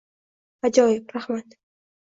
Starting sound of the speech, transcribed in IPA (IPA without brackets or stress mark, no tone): a